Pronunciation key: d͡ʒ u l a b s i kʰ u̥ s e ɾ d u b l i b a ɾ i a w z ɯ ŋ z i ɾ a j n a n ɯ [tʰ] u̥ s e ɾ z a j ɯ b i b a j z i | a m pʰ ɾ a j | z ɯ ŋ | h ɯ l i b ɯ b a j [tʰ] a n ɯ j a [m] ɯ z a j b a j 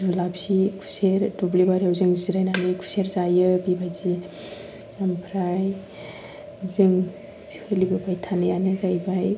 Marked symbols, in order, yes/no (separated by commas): no, yes, no